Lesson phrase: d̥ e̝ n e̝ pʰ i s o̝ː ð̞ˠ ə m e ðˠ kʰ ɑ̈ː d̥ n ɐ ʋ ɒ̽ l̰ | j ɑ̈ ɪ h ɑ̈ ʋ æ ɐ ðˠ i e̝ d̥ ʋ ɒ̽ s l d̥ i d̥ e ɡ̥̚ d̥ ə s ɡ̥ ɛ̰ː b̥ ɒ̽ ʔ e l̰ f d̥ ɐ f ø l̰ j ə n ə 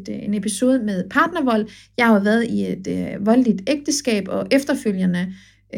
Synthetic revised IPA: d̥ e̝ n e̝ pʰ i s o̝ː ð̞ˠ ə m e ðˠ pʰ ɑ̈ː d̥ n ɐ ʋ ɒ̽ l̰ | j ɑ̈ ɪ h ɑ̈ ʋ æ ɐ ðˠ i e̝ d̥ ʋ ɒ̽ l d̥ i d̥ e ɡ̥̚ d̥ ə s ɡ̥ ɛ̰ː b̥ ɒ̽ ʔ e f d̥ ɐ f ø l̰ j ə n ə